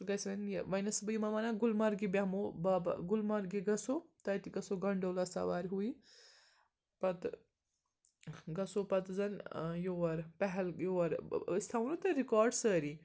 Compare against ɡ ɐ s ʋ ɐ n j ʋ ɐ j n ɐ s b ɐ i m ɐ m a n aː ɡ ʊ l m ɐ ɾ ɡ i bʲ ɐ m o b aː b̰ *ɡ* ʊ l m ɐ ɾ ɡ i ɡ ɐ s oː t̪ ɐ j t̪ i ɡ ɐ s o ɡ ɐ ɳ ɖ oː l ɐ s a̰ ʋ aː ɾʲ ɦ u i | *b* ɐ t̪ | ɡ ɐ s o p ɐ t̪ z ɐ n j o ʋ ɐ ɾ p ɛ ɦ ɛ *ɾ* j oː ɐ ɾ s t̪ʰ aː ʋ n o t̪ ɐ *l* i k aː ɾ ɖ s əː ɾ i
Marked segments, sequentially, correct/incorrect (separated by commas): correct, incorrect, incorrect, incorrect